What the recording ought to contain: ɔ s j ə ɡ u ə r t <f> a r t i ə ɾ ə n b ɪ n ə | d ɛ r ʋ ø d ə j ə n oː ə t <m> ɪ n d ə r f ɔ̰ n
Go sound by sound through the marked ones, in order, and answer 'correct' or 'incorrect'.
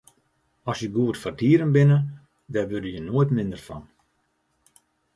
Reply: correct, correct

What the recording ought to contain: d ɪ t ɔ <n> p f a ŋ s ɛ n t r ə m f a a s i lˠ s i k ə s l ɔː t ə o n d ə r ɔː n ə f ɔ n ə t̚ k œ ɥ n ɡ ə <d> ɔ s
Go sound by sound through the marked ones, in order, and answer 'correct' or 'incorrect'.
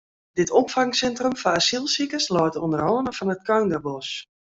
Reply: incorrect, incorrect

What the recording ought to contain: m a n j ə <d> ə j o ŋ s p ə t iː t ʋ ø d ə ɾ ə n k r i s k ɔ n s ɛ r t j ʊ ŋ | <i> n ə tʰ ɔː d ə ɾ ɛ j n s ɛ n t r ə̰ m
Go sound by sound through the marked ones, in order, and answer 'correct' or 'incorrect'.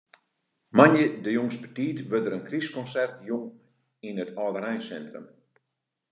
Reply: correct, correct

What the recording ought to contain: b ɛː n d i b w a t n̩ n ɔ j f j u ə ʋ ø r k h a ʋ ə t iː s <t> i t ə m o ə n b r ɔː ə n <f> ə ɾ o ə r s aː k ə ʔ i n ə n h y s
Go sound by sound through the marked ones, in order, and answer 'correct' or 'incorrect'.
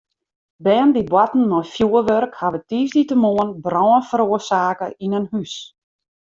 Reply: incorrect, correct

